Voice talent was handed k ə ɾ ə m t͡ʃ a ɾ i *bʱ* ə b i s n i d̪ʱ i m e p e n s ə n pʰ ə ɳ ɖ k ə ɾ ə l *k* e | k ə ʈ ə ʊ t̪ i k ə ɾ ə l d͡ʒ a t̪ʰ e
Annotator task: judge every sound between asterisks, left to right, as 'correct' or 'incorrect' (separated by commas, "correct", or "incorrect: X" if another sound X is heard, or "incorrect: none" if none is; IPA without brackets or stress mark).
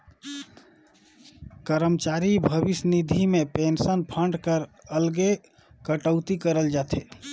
correct, incorrect: ɡ